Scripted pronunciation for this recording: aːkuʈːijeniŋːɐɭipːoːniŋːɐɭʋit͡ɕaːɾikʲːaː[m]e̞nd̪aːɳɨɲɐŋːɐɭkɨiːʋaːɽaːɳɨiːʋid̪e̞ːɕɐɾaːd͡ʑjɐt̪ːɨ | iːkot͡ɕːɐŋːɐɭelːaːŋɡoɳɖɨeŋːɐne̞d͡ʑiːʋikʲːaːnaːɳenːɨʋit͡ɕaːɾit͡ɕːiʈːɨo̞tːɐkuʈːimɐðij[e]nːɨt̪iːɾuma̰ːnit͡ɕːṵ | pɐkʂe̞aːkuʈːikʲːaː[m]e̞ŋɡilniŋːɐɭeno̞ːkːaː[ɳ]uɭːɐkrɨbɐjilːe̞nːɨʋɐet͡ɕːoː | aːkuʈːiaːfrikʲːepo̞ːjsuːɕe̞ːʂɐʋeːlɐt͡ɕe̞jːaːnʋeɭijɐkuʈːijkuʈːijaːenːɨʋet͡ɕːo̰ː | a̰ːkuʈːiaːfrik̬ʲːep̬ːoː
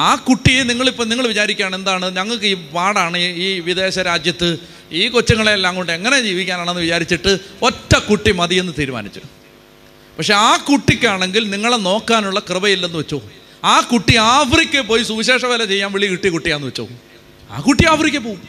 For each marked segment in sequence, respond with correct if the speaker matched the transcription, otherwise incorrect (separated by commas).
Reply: incorrect, correct, incorrect, incorrect